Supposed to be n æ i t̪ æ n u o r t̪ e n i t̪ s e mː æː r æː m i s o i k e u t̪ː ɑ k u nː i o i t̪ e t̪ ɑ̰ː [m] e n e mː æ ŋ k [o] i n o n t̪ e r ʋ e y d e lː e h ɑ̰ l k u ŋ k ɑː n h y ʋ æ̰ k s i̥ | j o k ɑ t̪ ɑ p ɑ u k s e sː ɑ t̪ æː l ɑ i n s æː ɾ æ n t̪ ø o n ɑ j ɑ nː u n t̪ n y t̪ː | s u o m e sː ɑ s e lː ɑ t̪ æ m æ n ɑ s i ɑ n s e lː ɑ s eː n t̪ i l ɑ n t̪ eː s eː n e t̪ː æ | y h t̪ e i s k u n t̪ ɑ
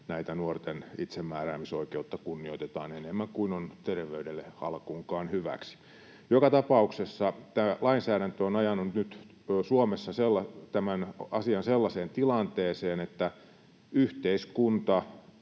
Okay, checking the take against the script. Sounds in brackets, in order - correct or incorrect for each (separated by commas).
incorrect, incorrect